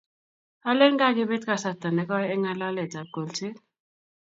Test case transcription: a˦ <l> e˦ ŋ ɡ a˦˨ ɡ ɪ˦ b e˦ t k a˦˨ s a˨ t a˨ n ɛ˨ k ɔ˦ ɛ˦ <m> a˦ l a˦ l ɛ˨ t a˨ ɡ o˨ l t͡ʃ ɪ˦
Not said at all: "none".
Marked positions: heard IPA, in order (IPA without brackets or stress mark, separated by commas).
l, ŋ